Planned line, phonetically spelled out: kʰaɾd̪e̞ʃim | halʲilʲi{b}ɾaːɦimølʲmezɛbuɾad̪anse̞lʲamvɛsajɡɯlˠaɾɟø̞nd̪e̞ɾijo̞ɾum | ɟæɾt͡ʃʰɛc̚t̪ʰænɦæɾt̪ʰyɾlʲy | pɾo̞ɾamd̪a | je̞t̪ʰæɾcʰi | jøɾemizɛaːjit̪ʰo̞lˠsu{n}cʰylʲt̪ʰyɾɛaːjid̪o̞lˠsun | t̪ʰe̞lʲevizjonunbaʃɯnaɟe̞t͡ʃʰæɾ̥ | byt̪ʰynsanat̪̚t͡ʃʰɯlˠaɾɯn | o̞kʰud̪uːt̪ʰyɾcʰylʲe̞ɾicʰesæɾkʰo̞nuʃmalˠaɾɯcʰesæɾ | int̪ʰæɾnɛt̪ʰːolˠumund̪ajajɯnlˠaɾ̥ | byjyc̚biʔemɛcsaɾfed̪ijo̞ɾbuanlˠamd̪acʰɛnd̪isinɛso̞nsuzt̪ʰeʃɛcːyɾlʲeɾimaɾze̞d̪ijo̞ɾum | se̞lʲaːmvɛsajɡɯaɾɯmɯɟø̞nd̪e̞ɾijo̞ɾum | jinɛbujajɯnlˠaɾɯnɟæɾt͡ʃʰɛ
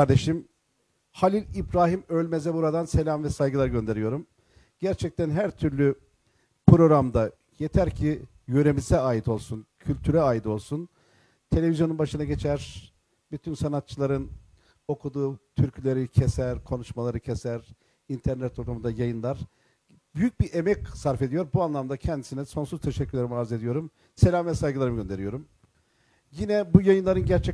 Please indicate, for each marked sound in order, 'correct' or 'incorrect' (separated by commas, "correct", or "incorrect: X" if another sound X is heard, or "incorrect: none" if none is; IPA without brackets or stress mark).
correct, correct